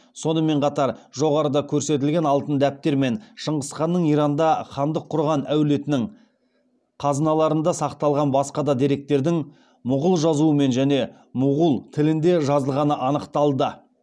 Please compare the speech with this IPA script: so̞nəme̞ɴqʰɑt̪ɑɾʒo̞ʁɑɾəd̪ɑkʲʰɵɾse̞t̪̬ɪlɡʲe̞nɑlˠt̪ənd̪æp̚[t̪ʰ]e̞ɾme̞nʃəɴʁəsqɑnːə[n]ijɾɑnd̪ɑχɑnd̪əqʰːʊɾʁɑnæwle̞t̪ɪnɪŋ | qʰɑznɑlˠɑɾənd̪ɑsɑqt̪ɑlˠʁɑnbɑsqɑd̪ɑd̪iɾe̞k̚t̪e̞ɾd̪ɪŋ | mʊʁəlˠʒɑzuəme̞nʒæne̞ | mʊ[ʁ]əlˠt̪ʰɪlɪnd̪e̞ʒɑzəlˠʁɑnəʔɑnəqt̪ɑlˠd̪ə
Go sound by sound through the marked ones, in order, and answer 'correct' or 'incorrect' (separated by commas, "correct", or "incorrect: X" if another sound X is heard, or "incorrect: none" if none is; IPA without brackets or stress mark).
incorrect: t̪, incorrect: ɴ, correct